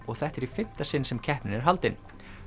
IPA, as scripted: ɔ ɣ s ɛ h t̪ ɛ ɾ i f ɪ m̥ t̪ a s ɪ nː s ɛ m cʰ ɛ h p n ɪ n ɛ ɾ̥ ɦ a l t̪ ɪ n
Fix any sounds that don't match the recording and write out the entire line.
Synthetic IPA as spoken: ɔ ɣ θ ɛ h t̪ ɛ ɾ i f ɪ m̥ t̪ a s ɪ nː s ɛ m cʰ ɛ h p n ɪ n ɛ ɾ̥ ɦ a l t̪ ɪ n